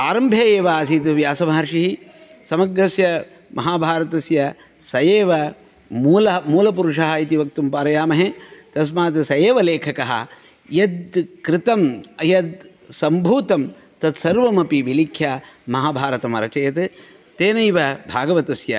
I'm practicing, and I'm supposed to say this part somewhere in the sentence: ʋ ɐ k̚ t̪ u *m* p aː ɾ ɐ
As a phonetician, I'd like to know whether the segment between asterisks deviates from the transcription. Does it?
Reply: no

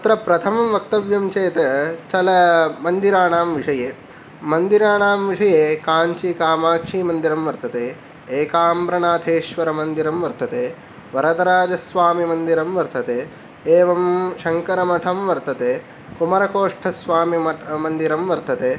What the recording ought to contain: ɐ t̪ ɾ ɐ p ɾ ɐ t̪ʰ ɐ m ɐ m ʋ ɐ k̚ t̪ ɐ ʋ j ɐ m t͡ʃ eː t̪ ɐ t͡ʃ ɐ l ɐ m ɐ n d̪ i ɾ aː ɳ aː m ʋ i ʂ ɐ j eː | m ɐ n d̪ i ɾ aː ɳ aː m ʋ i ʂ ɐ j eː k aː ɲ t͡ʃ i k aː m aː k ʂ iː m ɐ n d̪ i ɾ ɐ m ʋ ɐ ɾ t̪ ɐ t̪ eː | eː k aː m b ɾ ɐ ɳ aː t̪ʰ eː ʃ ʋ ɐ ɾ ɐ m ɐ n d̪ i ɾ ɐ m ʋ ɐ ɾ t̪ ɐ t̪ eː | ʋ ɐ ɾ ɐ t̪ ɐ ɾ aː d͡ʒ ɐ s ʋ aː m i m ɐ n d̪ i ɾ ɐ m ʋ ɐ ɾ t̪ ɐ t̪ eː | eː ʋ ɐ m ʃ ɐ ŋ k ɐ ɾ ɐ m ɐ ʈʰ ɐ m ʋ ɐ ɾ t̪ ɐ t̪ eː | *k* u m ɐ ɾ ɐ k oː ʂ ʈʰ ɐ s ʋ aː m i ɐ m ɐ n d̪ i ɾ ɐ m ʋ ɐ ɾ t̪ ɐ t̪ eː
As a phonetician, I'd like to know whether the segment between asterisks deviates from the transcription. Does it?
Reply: no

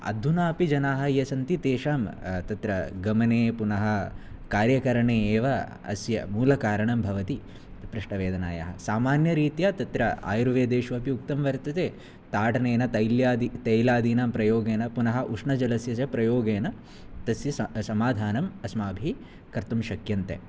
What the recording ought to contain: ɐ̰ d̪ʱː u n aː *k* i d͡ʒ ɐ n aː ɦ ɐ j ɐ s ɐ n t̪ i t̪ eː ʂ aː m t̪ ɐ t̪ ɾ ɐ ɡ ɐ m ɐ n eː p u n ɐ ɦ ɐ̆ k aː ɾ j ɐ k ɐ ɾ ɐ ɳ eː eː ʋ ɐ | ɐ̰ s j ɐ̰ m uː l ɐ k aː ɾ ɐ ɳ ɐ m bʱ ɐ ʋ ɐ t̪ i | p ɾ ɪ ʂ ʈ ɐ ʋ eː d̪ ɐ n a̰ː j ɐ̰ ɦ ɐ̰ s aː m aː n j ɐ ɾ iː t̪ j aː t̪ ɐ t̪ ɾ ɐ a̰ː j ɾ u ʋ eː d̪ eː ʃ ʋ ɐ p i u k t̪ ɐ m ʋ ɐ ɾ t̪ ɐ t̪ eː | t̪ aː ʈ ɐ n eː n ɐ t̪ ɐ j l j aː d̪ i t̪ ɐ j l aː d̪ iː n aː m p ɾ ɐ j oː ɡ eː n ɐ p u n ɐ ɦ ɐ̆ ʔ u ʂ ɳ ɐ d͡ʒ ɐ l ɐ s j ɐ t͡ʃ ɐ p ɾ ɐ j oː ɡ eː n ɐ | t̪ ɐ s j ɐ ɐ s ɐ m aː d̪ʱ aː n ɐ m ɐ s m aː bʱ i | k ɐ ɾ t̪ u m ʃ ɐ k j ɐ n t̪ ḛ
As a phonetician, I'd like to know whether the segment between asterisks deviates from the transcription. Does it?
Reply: yes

